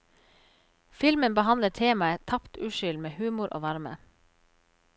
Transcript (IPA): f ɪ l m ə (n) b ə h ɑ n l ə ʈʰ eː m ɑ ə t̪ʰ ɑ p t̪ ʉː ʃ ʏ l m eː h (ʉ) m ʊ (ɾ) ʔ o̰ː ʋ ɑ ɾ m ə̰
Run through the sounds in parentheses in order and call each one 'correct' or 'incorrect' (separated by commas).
correct, incorrect, correct